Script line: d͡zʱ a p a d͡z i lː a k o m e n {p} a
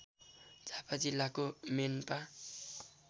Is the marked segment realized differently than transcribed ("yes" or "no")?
no